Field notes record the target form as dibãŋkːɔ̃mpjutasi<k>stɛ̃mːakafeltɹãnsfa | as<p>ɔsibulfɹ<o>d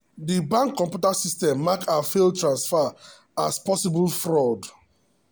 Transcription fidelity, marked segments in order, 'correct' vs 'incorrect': incorrect, correct, incorrect

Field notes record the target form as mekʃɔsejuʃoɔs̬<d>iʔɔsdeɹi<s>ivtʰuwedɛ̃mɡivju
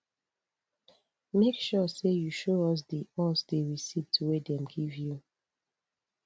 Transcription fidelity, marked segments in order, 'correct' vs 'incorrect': correct, correct

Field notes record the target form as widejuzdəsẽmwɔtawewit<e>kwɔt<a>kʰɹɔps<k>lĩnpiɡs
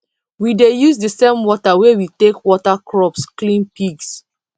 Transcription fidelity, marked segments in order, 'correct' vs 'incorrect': correct, correct, correct

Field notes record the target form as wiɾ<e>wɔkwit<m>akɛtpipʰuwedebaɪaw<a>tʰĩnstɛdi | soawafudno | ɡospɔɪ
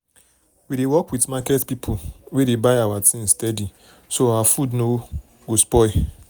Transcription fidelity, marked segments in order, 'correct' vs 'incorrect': correct, correct, correct

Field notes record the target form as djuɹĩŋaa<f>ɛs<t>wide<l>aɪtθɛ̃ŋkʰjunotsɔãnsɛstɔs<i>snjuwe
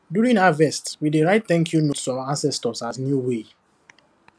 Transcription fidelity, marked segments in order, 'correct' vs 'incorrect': incorrect, correct, incorrect, incorrect

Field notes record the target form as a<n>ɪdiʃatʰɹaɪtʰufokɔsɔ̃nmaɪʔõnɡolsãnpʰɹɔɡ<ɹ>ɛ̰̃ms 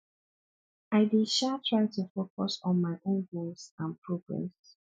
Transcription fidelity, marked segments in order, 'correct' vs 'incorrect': incorrect, correct

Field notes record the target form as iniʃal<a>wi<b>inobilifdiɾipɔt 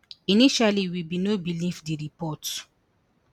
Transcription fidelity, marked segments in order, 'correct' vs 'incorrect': incorrect, correct

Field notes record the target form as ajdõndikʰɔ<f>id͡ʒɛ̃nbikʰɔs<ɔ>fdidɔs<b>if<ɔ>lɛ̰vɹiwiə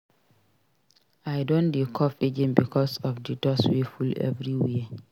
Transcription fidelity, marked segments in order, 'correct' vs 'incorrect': correct, correct, incorrect, incorrect

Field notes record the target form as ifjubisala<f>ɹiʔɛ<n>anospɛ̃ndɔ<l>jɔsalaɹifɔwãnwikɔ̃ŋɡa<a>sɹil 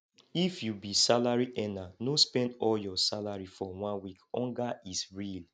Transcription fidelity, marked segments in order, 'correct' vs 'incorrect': incorrect, correct, correct, incorrect

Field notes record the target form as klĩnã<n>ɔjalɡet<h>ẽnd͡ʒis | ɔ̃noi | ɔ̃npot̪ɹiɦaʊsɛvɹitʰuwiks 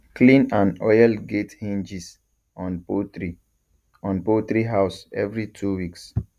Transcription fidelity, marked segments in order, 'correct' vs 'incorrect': correct, correct

